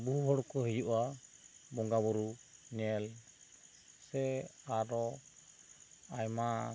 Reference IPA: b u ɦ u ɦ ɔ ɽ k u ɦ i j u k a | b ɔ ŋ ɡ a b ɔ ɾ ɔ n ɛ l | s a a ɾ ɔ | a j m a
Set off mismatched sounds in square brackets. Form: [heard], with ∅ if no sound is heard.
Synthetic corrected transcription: b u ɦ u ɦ ɔ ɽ k [ɔ] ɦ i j u [ʔ] a | b ɔ ŋ ɡ a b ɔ ɾ [u] n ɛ l | s [ɛ] a ɾ ɔ | a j m a